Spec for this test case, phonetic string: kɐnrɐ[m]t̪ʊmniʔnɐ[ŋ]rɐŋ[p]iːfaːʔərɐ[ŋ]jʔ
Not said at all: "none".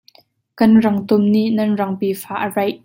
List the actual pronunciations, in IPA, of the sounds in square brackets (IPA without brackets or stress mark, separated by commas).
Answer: ŋ, n, p, none